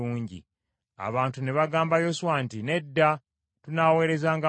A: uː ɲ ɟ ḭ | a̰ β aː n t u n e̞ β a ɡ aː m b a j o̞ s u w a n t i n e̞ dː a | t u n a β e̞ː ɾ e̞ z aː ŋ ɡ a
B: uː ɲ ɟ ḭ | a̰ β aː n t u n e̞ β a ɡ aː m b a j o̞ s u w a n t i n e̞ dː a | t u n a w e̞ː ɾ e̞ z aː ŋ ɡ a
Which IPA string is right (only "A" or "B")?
B